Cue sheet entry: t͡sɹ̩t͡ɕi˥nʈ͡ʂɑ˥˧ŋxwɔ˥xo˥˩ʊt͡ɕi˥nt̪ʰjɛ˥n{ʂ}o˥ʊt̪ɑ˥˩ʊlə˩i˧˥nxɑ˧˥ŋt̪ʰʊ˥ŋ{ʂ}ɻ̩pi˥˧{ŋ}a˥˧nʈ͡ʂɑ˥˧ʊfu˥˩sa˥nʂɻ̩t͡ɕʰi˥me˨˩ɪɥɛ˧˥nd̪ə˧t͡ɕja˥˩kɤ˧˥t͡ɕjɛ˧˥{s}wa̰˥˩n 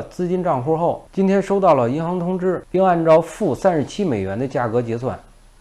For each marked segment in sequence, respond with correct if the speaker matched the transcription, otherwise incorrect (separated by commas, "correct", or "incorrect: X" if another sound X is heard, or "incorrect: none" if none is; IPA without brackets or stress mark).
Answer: correct, incorrect: ʈ͡ʂ, correct, correct